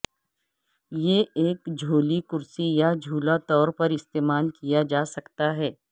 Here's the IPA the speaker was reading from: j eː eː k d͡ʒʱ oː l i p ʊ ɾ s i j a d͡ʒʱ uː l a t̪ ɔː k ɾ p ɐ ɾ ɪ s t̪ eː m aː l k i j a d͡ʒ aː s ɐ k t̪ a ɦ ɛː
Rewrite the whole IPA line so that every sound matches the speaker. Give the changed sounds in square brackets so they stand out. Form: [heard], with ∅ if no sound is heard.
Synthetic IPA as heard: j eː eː k d͡ʒʱ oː l i [k] ʊ ɾ s i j a d͡ʒʱ uː l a t̪ ɔː [∅] ɾ p ɐ ɾ ɪ s t̪ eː m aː l k i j a d͡ʒ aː s ɐ k t̪ a ɦ ɛː

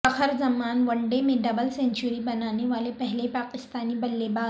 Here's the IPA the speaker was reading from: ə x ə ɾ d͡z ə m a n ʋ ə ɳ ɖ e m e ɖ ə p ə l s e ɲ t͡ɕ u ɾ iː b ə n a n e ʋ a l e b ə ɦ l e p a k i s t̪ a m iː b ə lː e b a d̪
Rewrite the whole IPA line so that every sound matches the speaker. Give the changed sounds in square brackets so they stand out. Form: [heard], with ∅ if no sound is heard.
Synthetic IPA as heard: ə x ə ɾ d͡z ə m a n ʋ ə ɳ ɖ e m e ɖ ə [b] ə l s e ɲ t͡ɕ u ɾ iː b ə n a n e ʋ a l e [p] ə ɦ l e p a k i s t̪ a [n] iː b ə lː e b a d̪

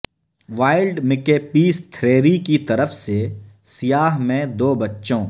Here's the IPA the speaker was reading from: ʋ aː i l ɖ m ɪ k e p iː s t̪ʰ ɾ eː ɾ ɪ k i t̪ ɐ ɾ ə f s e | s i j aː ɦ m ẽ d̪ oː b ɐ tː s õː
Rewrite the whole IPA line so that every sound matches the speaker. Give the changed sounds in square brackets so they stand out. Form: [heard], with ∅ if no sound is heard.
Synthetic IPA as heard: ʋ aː [ɪ] l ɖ m ɪ k e p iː s t̪ʰ ɾ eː ɾ [i] k i t̪ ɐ ɾ ə f s e | s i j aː ɦ m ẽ d̪ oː b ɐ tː [ʃ] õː

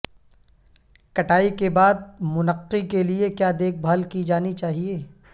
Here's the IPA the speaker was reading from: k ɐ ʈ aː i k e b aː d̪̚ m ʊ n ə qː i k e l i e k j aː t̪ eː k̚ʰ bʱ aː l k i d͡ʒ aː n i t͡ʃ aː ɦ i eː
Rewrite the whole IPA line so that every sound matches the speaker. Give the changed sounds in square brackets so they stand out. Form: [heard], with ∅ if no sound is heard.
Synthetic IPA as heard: k ɐ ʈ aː i k e b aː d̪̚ m ʊ n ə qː i k e l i e k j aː [d̪] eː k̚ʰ bʱ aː l k i d͡ʒ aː n i t͡ʃ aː ɦ i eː

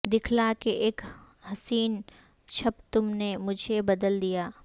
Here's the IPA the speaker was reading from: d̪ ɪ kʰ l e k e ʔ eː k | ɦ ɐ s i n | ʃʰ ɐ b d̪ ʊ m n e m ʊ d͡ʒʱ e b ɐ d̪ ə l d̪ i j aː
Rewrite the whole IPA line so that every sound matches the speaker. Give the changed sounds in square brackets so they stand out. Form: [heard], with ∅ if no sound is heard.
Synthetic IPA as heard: d̪ ɪ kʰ l [a] k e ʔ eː k | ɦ ɐ s [iː] n | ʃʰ ɐ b [t̪] ʊ m n e m ʊ d͡ʒʱ e b ɐ d̪ ə l d̪ i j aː

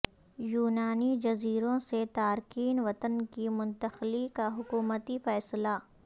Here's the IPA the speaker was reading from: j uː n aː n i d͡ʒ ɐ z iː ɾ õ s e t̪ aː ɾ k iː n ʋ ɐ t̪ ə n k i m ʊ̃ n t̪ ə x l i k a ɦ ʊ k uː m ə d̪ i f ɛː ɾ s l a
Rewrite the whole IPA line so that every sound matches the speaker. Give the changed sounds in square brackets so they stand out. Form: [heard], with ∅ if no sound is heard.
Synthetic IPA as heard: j uː n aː n i d͡ʒ ɐ z iː ɾ õ s e t̪ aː ɾ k iː n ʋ ɐ t̪ ə n k i m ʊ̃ n t̪ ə x l i k a ɦ ʊ k uː m ə [t̪] i f ɛː [∅] s l a

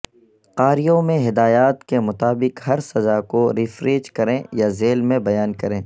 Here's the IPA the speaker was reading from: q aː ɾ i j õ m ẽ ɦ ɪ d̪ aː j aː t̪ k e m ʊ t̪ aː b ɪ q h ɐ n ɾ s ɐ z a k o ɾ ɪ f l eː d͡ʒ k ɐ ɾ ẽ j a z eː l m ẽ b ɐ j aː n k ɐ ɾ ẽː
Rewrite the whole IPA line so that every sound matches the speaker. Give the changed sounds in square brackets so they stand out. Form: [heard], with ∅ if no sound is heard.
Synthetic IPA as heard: q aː ɾ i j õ m ẽ ɦ ɪ d̪ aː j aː t̪ k e m ʊ t̪ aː b ɪ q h ɐ [∅] ɾ s ɐ z a k o ɾ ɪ f [ɾ] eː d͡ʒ k ɐ ɾ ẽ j a z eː l m ẽ b ɐ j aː n k ɐ ɾ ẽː

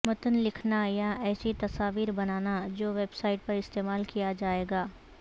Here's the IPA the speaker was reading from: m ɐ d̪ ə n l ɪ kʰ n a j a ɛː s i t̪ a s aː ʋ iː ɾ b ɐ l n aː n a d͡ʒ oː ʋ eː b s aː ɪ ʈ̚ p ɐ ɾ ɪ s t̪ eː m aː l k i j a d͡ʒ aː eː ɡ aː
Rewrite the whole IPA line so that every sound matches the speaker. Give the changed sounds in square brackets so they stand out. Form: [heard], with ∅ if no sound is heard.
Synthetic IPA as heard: m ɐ [t̪] ə n l ɪ kʰ n a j a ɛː s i t̪ [ɐ] s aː ʋ iː ɾ b ɐ [∅] n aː n a d͡ʒ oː ʋ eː b s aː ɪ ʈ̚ p ɐ ɾ ɪ s t̪ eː m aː l k i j a d͡ʒ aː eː ɡ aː

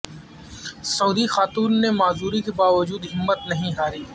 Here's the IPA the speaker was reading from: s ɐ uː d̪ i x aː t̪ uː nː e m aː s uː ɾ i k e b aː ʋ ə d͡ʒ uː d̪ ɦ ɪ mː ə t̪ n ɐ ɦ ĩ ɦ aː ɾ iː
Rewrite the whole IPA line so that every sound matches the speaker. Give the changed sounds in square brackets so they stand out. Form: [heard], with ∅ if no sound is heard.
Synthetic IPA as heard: s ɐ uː d̪ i x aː t̪ uː nː e m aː [z] uː ɾ i k e b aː ʋ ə d͡ʒ uː d̪ ɦ ɪ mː ə t̪ n ɐ ɦ ĩ ɦ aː ɾ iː

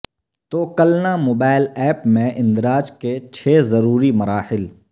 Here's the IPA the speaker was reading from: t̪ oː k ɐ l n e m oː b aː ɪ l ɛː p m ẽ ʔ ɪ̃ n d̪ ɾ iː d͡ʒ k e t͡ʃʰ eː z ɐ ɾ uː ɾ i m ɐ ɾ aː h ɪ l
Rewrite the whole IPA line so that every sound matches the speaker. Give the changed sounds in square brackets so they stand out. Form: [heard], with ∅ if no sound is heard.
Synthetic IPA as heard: t̪ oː k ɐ l n [a] m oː b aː ɪ l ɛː p m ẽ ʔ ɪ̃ n d̪ ɾ [aː] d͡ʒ k e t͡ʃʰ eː z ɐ ɾ uː ɾ i m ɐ ɾ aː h ɪ l

